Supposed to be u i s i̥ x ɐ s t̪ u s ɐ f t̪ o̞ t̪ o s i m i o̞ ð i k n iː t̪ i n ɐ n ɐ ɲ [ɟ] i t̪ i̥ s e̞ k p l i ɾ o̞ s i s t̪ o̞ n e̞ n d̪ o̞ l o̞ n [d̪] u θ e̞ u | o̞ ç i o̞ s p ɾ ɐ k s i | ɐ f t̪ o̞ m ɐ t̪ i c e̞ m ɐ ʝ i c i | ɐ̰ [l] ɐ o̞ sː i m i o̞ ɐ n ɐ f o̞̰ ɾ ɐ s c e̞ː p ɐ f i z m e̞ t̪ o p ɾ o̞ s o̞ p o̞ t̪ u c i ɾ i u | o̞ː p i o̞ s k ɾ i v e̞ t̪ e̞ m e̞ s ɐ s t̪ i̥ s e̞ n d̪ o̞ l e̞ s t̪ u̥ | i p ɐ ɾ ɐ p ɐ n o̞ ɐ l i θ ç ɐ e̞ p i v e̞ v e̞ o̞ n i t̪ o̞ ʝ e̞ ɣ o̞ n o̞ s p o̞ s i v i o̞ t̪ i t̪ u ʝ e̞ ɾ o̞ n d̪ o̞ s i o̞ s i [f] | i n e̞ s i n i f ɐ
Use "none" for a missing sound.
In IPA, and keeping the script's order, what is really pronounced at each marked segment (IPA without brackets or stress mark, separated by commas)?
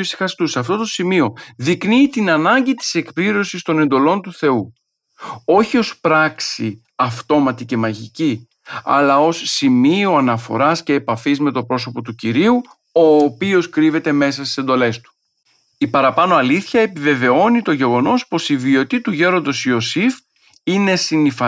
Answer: ɟ, t̪, l, f